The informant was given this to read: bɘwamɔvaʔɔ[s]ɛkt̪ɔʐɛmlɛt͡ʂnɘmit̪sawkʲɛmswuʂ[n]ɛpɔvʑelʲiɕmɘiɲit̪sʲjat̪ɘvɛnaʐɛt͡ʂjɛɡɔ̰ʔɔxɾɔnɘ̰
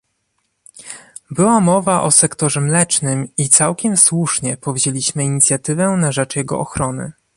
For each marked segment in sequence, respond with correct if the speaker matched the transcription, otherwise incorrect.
correct, incorrect: ɲ

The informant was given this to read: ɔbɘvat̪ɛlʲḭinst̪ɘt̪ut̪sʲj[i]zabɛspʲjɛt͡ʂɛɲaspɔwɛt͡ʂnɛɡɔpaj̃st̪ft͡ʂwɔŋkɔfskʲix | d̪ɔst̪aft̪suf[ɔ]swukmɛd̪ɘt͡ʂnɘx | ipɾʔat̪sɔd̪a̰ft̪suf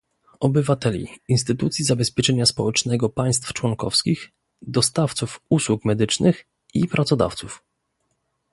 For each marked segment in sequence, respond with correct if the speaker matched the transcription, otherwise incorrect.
correct, incorrect: u

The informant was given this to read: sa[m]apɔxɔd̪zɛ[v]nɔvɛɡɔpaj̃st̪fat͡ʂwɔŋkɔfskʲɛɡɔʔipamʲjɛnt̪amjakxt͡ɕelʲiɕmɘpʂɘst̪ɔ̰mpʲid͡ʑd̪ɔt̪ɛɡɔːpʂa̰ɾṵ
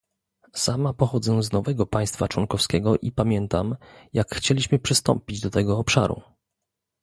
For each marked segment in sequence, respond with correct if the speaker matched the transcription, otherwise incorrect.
correct, incorrect: z

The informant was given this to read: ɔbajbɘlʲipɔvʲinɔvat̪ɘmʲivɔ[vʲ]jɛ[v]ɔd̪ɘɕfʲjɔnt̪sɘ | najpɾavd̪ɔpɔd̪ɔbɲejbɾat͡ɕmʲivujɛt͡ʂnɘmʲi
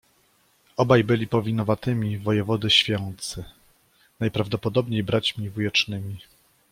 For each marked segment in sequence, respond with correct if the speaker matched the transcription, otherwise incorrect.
incorrect: none, correct

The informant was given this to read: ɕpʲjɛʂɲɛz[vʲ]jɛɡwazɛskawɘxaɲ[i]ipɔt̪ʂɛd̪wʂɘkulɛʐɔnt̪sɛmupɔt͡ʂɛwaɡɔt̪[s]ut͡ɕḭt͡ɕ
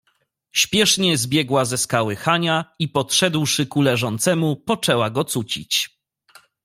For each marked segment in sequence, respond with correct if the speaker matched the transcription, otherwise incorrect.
incorrect: bʲ, incorrect: a, correct

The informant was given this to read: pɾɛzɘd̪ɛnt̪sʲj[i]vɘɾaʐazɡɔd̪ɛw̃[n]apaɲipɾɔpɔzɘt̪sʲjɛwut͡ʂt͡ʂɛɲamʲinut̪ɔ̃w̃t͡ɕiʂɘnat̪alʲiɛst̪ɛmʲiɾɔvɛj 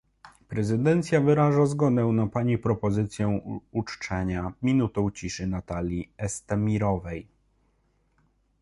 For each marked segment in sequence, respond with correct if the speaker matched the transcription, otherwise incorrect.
incorrect: a, correct

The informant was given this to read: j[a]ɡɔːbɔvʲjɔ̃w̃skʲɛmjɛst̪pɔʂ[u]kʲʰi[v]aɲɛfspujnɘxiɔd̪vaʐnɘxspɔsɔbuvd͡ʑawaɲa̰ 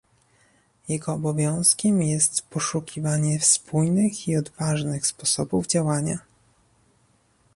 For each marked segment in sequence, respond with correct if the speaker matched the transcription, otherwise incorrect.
incorrect: ɛ, correct, correct

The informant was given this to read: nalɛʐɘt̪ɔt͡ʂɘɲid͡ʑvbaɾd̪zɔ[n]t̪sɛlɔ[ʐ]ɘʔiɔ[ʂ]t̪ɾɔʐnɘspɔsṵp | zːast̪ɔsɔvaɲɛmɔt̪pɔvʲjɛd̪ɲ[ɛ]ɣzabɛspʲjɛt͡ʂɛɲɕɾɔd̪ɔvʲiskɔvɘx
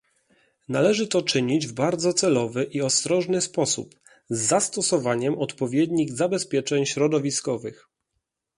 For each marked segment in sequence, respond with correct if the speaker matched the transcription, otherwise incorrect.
incorrect: none, incorrect: v, incorrect: s, incorrect: i

